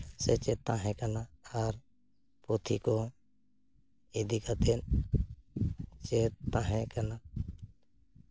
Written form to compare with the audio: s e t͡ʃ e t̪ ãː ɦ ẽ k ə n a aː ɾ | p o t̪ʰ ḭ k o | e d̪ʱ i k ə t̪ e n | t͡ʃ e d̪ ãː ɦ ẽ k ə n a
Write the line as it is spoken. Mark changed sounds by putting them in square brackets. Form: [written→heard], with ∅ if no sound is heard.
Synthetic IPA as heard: s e t͡ʃ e t̪ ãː ɦ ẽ k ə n a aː ɾ | p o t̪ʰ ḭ k o | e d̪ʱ i k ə t̪ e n | t͡ʃ e [d̪→t̪] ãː ɦ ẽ k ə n a